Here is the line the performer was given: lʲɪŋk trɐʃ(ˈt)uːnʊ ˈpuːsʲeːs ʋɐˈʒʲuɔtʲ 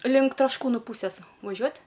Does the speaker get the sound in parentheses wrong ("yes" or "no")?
yes